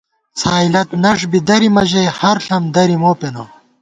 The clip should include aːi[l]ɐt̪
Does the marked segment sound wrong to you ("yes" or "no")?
no